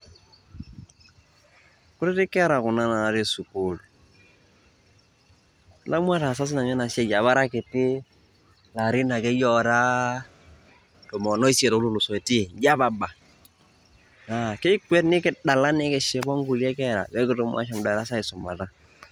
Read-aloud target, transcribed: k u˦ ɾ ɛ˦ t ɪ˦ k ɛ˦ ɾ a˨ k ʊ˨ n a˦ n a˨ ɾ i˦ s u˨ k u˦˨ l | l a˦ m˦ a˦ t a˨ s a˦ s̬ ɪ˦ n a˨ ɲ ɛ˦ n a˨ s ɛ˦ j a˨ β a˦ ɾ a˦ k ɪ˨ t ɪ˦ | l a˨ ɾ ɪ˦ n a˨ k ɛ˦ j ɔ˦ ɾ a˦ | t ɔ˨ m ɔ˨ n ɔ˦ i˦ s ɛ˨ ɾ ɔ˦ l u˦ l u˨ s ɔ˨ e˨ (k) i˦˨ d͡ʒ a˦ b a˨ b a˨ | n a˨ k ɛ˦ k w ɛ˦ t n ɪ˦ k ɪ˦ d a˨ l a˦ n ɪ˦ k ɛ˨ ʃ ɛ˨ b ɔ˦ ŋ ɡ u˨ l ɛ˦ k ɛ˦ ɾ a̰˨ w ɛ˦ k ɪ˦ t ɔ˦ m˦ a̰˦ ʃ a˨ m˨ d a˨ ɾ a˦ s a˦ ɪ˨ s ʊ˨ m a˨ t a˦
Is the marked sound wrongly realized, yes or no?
yes